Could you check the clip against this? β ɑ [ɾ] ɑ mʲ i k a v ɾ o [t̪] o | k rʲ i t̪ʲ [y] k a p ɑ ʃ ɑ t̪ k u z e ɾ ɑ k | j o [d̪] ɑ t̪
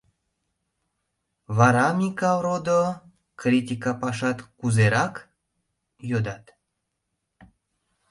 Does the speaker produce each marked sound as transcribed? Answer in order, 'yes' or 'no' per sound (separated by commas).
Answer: yes, no, no, yes